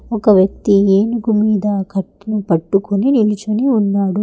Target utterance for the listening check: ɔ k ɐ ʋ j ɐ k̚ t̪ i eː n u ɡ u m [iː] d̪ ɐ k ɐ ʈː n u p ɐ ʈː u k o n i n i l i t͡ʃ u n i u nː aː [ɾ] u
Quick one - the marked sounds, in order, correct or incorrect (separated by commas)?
correct, incorrect